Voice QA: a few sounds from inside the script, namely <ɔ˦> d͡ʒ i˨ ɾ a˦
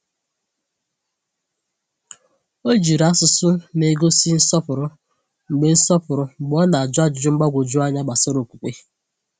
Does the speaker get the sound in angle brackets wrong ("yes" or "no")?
yes